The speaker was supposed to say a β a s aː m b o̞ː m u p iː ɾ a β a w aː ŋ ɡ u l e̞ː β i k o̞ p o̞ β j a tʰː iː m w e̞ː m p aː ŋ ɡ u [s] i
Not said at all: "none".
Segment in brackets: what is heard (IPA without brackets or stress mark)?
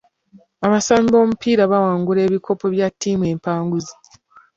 z